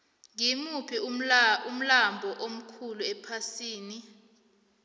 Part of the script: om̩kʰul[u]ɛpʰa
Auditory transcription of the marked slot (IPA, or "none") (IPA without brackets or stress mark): u